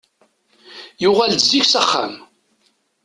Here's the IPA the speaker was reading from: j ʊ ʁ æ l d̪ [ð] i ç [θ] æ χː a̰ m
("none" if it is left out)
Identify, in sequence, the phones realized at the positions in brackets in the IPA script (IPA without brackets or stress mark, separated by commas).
z, s